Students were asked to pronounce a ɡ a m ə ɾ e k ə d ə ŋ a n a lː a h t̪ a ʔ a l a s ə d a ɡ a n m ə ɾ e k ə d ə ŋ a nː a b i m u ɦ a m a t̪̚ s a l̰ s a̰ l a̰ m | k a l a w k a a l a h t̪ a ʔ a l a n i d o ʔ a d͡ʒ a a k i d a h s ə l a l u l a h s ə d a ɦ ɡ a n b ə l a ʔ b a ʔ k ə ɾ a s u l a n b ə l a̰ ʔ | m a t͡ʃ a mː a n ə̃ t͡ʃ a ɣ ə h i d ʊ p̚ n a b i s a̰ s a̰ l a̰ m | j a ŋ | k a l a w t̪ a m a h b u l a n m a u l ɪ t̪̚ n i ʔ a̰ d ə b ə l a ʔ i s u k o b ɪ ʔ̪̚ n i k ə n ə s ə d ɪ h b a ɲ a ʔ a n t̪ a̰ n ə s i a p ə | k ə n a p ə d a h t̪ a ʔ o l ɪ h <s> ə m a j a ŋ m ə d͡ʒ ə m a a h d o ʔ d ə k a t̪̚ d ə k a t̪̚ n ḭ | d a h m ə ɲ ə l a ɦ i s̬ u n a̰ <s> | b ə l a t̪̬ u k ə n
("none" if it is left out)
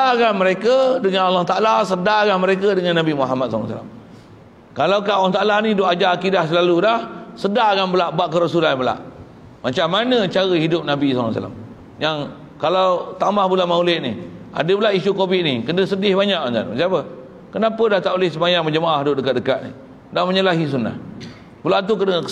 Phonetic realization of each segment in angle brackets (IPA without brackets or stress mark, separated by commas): s, h